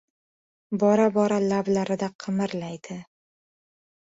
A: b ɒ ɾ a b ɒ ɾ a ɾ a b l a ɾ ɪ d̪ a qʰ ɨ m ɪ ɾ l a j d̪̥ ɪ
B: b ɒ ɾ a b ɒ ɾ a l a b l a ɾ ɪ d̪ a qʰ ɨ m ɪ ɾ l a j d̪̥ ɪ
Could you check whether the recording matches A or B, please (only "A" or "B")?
B